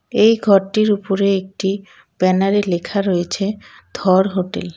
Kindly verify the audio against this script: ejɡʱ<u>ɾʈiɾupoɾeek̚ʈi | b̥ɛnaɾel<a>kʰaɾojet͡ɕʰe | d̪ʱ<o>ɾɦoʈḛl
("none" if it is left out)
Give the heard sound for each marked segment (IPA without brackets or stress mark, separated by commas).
ɔ, e, ɔ